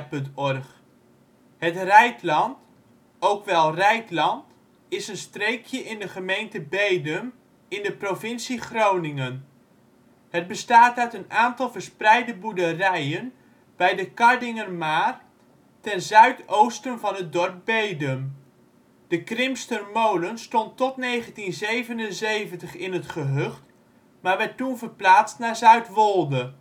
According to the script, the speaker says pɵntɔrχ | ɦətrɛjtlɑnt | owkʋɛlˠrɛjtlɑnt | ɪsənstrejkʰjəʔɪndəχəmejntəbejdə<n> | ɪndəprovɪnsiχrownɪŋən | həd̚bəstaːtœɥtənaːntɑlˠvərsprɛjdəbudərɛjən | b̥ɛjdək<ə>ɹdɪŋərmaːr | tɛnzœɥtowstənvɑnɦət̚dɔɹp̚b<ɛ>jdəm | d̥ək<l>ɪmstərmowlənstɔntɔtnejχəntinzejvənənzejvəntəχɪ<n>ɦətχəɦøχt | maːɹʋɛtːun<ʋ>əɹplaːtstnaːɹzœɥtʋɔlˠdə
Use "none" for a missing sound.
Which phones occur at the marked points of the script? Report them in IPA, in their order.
m, ɑ, e, r, n, v

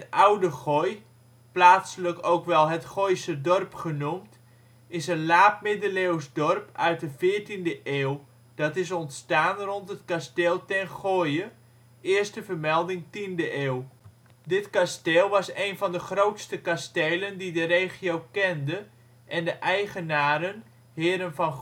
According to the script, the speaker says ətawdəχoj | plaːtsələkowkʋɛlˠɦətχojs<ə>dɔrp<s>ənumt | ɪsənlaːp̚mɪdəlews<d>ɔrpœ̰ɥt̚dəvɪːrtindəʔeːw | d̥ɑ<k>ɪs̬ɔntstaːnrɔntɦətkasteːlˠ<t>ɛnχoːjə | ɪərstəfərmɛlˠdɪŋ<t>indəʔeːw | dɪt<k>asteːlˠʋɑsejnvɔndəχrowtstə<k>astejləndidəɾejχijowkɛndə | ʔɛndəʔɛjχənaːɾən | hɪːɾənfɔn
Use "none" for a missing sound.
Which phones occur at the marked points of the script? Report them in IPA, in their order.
ə, χ, d, t, t, t, k, k

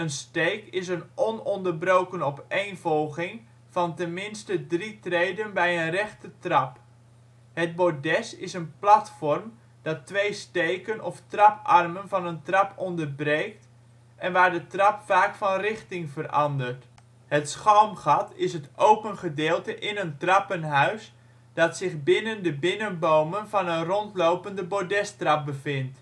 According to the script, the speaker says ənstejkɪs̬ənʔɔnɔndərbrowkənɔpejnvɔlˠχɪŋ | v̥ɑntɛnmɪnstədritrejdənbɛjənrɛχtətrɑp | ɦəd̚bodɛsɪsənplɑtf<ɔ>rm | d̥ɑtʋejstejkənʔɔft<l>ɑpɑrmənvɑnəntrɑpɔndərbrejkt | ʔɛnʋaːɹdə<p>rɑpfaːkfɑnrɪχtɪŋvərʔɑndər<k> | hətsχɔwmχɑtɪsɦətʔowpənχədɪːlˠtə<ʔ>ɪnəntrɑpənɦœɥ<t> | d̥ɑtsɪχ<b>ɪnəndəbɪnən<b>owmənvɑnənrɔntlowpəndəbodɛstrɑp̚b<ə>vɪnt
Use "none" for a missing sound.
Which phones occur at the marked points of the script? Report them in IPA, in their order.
ɔ, r, t, t, ʔ, s, b, b, ə

